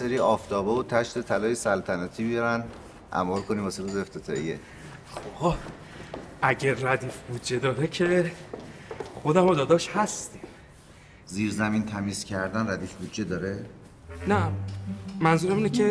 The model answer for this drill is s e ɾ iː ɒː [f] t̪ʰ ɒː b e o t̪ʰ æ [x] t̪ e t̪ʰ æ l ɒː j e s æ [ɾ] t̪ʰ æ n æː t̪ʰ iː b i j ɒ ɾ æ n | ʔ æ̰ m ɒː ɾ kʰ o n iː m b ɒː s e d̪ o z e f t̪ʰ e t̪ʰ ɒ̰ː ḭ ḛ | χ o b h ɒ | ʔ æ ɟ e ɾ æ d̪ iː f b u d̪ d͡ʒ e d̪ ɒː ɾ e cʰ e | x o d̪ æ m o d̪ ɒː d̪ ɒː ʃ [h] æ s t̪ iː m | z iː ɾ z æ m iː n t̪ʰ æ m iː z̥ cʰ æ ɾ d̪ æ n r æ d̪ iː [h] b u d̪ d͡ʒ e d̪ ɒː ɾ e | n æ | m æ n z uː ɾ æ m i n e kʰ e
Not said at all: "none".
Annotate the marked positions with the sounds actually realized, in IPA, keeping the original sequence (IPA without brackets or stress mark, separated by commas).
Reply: f, ʃ, l, h, f